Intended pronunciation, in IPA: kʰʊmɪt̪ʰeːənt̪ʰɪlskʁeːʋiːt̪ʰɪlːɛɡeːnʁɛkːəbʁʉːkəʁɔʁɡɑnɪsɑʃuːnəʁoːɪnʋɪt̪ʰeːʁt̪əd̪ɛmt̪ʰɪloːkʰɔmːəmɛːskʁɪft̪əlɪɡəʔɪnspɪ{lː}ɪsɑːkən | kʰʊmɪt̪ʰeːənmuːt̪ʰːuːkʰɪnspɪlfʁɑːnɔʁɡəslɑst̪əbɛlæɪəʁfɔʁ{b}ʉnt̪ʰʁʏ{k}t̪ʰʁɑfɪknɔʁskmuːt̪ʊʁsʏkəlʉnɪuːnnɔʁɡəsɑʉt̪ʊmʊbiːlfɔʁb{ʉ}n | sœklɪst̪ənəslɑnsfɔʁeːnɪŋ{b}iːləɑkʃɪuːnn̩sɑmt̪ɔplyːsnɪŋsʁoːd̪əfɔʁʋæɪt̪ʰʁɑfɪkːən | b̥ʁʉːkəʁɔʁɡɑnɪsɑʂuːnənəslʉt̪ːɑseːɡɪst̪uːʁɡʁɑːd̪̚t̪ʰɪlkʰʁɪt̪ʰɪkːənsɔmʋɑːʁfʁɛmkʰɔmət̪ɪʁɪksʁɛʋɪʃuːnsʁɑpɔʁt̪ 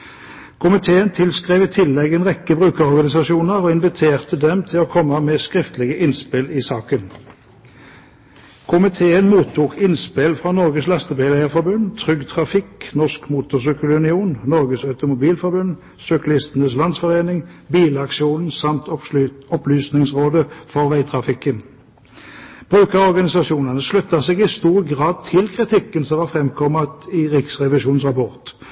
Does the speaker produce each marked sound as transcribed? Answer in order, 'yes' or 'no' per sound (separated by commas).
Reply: no, yes, no, yes, yes